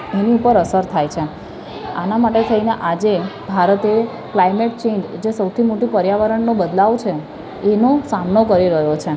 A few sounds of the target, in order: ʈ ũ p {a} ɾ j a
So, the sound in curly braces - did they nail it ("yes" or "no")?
no